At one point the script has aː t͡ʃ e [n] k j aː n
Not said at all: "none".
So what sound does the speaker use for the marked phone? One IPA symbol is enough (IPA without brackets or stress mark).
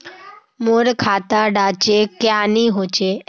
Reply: none